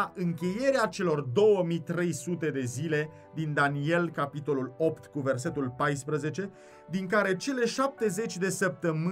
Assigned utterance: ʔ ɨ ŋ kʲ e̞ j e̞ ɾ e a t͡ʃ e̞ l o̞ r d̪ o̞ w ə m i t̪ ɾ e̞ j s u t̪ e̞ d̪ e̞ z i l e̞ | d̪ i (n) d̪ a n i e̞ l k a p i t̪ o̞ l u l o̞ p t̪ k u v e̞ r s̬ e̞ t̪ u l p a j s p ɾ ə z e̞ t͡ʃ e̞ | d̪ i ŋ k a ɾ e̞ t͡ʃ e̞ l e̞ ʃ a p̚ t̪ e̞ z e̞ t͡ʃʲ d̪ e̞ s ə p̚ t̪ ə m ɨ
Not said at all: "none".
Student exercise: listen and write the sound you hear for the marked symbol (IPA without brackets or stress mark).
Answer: n